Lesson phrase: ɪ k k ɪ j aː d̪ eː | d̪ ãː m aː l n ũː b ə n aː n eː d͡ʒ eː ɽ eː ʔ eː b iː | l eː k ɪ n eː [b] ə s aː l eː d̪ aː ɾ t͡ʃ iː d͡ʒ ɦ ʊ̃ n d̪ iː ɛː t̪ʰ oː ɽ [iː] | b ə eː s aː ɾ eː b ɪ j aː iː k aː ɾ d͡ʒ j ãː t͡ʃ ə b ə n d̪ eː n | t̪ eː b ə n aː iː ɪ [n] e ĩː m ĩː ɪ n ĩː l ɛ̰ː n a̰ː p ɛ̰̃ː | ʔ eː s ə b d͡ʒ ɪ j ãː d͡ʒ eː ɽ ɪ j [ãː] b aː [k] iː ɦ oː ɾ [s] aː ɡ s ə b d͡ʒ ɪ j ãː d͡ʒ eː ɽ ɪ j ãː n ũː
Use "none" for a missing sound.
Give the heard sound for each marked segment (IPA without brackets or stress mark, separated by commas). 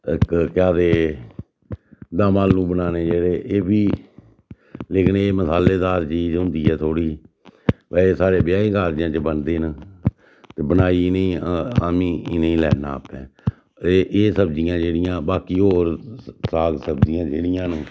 m, iː, n, ãː, k, s